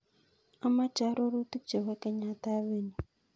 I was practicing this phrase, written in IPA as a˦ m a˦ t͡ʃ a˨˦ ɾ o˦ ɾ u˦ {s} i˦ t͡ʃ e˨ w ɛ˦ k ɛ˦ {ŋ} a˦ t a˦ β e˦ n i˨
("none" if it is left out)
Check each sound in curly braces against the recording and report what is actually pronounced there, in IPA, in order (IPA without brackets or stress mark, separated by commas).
t, ɲ